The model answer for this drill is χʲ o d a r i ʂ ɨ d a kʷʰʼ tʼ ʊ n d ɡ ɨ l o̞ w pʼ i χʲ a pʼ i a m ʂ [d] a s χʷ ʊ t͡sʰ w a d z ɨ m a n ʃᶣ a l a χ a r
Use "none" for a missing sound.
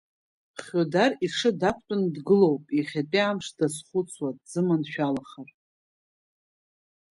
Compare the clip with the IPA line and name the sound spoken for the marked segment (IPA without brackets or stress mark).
d